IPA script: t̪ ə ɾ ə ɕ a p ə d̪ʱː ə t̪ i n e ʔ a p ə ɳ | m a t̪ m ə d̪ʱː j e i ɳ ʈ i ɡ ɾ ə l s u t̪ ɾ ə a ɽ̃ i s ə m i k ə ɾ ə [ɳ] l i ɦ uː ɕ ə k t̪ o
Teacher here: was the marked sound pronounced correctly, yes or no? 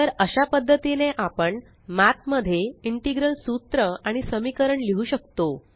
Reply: yes